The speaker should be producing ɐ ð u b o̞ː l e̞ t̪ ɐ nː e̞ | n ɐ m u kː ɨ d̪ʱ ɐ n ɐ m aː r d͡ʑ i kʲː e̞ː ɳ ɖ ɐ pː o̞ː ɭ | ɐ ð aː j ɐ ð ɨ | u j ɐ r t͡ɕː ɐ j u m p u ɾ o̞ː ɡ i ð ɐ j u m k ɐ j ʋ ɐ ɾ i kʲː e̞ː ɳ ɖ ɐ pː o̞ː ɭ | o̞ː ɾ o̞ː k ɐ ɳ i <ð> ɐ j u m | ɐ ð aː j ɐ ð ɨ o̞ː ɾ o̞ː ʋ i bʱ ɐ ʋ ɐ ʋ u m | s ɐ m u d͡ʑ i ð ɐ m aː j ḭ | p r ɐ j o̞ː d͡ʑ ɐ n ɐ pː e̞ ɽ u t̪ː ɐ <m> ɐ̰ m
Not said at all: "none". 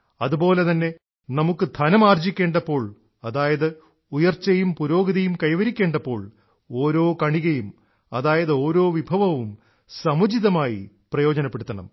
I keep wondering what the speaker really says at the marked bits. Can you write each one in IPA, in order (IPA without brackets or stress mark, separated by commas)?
ɣ, ɳ